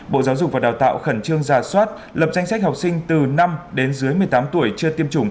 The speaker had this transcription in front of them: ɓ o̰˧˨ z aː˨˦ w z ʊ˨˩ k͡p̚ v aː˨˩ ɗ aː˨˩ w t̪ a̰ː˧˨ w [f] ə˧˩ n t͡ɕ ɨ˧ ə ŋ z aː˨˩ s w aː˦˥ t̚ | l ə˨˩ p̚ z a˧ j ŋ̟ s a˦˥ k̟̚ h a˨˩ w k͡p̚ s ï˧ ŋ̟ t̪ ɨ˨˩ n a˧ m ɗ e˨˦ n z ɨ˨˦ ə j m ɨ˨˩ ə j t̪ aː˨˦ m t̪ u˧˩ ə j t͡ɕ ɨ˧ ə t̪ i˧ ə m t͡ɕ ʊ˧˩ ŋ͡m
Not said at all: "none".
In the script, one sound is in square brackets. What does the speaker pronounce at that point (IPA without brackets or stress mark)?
x